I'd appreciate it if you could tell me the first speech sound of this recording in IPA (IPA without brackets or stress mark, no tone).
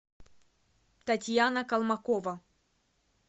t̪